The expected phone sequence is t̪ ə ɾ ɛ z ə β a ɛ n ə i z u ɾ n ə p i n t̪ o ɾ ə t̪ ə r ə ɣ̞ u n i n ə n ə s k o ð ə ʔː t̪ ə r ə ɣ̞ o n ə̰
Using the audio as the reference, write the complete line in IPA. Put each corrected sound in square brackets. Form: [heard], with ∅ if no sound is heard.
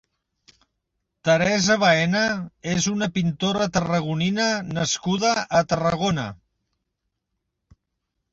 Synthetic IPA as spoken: t̪ ə ɾ ɛ z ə β a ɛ n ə [e] z u [∅] n ə p i n t̪ o ɾ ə t̪ ə r ə ɣ̞ u n i n ə n ə s k [u] ð ə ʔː t̪ ə r ə ɣ̞ o n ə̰